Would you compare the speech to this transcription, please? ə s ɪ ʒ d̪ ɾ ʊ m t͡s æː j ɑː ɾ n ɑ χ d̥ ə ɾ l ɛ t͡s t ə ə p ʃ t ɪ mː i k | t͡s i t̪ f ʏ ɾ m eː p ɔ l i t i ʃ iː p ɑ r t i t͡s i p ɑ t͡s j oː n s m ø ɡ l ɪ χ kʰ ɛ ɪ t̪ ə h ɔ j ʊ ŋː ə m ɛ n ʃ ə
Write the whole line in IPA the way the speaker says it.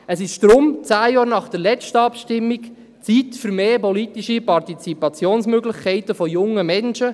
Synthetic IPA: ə s ɪ ʃ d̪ ɾ ʊ m t͡s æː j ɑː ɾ n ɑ χ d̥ ə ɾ l ɛ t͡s t ə ɑ p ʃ t ɪ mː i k | t͡s i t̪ f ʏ ɾ m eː p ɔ l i t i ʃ i p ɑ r t i t͡s i p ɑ t͡s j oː n s m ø ɡ l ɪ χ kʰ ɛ ɪ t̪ ə f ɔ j ʊ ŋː ə m ɛ n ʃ ə

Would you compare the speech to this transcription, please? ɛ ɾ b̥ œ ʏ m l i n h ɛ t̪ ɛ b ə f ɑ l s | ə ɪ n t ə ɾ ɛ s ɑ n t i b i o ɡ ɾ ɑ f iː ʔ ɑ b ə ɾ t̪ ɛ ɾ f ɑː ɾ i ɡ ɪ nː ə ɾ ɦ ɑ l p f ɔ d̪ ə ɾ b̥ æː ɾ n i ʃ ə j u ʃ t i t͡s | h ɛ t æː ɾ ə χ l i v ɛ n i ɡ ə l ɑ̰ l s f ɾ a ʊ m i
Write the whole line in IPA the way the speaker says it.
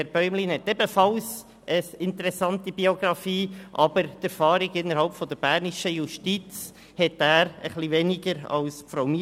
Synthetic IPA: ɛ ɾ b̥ œ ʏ m l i n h ɛ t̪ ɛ b ə f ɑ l s | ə ɪ n t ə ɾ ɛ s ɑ n t i b i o ɡ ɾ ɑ f iː ʔ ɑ b ə ɾ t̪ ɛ ɾ f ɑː ɾ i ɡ ɪ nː ə ɾ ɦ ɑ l p f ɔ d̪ ə ɾ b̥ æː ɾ n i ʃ ə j u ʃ t i t͡s | h ɛ t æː ɾ ə χ l i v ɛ n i ɡ ə ɾ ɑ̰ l s f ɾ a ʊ m i

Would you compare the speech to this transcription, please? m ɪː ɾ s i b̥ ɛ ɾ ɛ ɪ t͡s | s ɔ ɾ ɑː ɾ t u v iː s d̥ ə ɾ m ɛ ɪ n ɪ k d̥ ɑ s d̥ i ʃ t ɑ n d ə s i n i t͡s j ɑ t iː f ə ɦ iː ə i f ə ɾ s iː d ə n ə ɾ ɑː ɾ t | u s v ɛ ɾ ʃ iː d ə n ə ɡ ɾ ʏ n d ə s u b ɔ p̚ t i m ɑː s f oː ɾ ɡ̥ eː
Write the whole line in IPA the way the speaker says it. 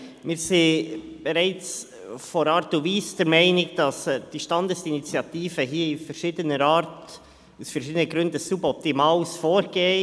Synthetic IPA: m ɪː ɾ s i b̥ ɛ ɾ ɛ ɪ t͡s | f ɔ ɾ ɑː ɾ t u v iː s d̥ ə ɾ m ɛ ɪ n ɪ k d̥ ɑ s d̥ i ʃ t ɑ n d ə s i n i t͡s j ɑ t iː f ə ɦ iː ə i f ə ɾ ʃ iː d ə n ə ɾ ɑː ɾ t | u s f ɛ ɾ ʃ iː d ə n ə ɡ ɾ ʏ n d ə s u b ɔ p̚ t i m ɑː s f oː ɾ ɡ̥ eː

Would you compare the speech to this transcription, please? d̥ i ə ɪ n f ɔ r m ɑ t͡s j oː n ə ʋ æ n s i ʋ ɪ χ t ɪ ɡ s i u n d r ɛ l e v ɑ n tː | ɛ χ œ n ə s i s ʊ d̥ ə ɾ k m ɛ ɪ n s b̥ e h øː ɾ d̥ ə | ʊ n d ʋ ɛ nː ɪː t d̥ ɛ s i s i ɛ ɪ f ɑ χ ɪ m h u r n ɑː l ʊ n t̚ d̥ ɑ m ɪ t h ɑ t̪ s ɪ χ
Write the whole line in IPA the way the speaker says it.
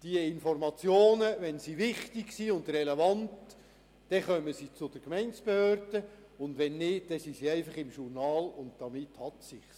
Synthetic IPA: d̥ i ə ɪ n f ɔ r m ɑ t͡s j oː n ə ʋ ɛ n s i ʋ ɪ χ t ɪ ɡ s i ʊ n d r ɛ l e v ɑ n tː | ɛ χ œ m ə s i t͡s ʊ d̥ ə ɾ k m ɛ ɪ n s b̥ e h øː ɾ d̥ ə | ʊ n d ʋ ɛ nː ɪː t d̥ ɛ s i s i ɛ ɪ f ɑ χ ɪ m ʃ u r n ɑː l ʊ n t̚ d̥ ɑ m ɪ t h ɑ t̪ s ɪ χ

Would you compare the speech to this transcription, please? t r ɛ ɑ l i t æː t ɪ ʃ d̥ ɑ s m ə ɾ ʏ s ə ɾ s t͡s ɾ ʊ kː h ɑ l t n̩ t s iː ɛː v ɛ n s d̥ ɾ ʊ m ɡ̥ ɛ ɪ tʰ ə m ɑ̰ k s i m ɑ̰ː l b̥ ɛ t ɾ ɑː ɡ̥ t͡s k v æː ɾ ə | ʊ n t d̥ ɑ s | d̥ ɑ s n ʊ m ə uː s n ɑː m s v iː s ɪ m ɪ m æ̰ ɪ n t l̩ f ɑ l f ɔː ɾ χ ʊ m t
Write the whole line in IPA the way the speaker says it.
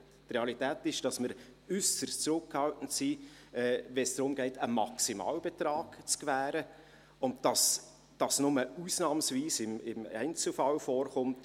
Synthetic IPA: t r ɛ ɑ l i t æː t ɪ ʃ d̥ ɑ s m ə ɾ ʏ s ə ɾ s t͡s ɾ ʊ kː h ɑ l t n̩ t s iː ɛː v ɛ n s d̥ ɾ ʊ m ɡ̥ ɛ ɪ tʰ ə m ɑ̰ k s i m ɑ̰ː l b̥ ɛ t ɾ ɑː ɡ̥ t͡s k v æː ɾ ə | ʊ n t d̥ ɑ s | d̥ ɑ s n ʊ m ə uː s n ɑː m s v iː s ɪ m ɪ m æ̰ ɪ n t͡s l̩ f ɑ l f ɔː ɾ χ ʊ m t

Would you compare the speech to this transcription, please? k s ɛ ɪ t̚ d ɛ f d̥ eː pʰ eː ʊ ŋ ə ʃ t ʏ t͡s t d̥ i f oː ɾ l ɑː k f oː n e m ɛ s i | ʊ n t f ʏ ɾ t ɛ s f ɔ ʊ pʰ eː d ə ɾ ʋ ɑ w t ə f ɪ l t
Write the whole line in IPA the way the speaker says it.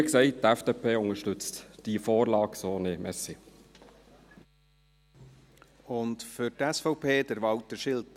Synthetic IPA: k s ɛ ɪ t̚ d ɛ f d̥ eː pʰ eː ʊ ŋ ə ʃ t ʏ t͡s t d̥ i f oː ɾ l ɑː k s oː n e m ɛ s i | ʊ n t f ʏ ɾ t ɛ s f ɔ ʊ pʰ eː d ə ɾ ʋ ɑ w t ə ʃ ɪ l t

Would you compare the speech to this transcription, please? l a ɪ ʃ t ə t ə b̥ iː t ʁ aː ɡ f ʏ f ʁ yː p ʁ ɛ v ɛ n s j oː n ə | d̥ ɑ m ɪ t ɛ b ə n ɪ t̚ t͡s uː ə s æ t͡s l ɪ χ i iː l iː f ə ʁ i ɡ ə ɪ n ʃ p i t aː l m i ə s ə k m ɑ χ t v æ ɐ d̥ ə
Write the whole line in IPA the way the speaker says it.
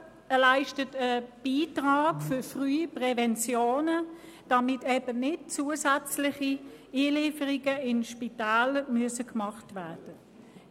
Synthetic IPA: l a ɪ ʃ t ə t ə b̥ iː t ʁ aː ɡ f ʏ f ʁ yː p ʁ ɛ v ɛ n t͡s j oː n ə | d̥ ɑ m ɪ t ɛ b ə n ɪ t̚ t͡s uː ə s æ t͡s l ɪ χ i iː l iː f ə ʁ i ɡ ə ɪ n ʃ p i t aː l m y ə s ə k m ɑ χ t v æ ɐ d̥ ə

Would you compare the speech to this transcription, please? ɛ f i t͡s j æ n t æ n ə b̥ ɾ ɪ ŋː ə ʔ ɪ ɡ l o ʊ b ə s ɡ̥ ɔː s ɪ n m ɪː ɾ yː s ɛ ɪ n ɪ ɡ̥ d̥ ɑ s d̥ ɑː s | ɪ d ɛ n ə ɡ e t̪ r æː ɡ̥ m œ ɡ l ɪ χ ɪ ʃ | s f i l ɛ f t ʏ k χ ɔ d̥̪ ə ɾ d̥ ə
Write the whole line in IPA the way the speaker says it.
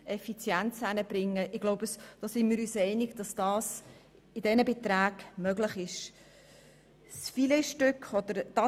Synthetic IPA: ɛ f i t͡s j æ n t͡s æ n ə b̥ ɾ ɪ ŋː ə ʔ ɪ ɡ l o ʊ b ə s d̥ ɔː s ɪ n m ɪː ɾ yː s ɛ ɪ n ɪ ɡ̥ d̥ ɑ s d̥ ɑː s | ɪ d ɛ n ə b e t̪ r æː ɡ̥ m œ ɡ l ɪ χ ɪ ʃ | s f i l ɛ ʃ t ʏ k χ ɔ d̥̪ ə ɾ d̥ ɑ

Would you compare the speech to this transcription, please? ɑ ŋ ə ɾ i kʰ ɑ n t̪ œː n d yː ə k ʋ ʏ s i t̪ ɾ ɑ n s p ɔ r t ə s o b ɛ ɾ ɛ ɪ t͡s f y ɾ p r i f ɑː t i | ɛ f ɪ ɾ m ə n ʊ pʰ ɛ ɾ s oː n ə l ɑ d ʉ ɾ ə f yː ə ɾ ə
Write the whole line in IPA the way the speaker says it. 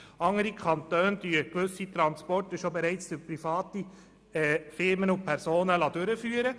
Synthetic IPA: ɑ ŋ ə ɾ i kʰ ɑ n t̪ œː n d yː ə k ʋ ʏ s i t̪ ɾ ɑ n s p ɔ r t ə ʃ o b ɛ ɾ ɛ ɪ t͡s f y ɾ p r i f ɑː t i | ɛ f ɪ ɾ m ə n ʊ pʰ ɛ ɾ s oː n ə l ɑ d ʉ ɾ ə f yː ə ɾ ə

